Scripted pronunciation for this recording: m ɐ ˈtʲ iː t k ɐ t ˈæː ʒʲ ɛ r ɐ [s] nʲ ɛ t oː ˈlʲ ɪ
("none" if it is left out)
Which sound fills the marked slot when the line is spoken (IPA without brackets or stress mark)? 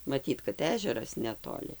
s